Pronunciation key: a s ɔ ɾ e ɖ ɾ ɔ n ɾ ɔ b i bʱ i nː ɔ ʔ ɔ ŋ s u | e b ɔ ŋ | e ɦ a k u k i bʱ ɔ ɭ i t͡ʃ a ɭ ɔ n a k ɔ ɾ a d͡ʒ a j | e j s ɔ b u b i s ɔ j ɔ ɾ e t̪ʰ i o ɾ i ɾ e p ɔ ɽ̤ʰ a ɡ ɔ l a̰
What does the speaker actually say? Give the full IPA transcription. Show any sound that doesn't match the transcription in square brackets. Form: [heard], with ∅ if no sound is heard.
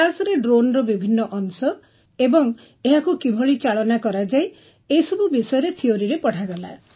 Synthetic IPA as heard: a s ɔ ɾ e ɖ ɾ [o] n ɾ ɔ b i bʱ i nː ɔ ʔ ɔ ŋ s [ɔ] | e b ɔ ŋ | e ɦ a k u k i bʱ ɔ ɭ i t͡ʃ a ɭ ɔ n a k ɔ ɾ a d͡ʒ a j | e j s ɔ b u b i s ɔ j ɔ ɾ e t̪ʰ i o ɾ i ɾ e p ɔ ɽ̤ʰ a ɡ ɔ l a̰